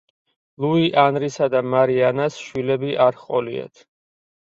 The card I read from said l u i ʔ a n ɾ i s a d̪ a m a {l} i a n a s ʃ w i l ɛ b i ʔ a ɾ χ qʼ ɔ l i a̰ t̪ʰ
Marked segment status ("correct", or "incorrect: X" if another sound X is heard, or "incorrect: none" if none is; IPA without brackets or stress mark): incorrect: ɾ